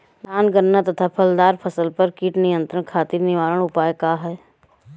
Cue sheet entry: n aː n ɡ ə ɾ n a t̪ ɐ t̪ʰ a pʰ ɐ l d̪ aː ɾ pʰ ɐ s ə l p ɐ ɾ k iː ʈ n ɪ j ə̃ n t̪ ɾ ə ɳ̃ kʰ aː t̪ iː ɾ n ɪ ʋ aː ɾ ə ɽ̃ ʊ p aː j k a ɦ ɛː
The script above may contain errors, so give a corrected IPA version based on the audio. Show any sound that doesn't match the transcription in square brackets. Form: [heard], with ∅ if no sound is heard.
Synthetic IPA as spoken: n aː n ɡ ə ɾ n a t̪ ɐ t̪ʰ a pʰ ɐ l d̪ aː ɾ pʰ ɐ s ə l p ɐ ɾ k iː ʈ n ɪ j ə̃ n t̪ ɾ ə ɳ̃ kʰ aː t̪ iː ɾ n ɪ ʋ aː ɾ ə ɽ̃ ʊ p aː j k a ɦ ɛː